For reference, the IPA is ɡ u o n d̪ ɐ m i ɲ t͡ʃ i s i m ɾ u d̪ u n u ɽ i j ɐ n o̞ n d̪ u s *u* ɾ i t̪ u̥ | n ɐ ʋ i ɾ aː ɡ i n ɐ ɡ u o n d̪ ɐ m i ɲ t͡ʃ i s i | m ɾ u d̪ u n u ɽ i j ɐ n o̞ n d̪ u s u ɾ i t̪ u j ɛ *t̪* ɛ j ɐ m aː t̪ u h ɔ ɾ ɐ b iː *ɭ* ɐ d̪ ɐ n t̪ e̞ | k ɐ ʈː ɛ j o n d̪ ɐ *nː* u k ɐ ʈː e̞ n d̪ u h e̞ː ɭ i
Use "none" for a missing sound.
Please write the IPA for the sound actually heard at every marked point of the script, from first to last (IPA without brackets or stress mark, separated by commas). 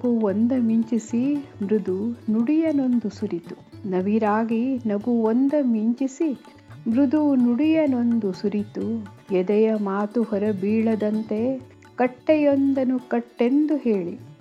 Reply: u, d̪, ɭ, n